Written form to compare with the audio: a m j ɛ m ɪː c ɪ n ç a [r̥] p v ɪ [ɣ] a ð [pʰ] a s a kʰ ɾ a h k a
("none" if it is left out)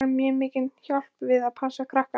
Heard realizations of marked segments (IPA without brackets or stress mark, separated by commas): l̥, ð, pʰ